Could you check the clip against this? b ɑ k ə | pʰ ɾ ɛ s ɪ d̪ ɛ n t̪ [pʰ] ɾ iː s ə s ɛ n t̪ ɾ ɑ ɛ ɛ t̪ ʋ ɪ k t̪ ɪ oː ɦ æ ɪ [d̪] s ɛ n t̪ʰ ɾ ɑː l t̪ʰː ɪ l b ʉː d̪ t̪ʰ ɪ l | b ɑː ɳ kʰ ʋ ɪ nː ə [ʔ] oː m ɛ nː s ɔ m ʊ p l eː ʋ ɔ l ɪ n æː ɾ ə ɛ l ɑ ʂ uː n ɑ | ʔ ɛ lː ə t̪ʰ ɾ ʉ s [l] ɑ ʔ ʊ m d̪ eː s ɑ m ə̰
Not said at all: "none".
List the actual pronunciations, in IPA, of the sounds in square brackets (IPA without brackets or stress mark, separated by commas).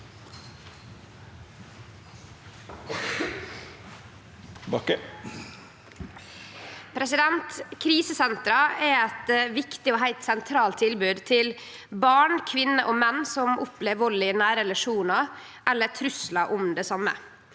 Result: kʰ, t̪, ʔ, l